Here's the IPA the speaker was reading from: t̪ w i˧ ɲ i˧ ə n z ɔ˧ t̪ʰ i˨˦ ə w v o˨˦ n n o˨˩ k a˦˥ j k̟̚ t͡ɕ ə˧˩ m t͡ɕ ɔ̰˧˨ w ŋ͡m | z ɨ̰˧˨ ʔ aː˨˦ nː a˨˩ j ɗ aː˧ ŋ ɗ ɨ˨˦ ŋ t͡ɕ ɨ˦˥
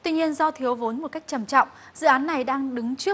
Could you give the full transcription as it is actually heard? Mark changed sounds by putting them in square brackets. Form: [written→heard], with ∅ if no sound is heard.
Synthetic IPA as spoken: t̪ w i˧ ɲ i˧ ə n z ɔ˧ t̪ʰ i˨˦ ə w v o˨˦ n [n→m] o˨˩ k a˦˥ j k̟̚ t͡ɕ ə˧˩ m t͡ɕ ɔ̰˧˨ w ŋ͡m | z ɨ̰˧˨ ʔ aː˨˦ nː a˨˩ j ɗ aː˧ ŋ ɗ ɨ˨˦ ŋ t͡ɕ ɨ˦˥